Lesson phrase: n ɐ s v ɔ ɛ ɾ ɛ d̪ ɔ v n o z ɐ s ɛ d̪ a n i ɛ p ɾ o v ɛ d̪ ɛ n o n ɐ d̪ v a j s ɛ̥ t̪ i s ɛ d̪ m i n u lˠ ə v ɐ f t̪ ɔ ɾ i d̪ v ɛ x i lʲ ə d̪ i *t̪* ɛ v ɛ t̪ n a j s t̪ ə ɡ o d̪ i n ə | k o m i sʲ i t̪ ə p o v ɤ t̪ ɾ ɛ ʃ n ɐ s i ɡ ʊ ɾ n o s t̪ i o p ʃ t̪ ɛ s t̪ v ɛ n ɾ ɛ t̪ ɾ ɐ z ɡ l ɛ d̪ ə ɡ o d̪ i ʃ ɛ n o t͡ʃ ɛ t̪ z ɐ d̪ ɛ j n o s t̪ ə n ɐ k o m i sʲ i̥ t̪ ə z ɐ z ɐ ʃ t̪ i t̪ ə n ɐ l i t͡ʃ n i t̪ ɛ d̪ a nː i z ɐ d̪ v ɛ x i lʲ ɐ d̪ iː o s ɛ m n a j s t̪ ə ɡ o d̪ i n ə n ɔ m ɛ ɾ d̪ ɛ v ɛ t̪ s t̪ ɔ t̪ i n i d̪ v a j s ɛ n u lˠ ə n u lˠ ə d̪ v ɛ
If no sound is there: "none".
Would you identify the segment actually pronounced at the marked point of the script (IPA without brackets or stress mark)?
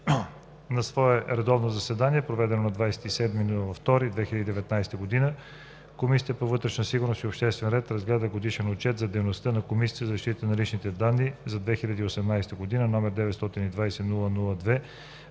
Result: d̪